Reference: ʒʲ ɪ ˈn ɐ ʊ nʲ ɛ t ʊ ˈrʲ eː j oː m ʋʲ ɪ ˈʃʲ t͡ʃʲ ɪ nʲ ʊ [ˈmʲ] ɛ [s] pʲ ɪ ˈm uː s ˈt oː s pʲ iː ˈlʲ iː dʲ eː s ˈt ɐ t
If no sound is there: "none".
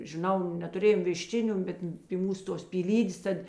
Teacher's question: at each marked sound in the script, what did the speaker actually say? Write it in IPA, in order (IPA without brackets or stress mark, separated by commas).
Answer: bʲ, t